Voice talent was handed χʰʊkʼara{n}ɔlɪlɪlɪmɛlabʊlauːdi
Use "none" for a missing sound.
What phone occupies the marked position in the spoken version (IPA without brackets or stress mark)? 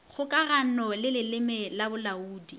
n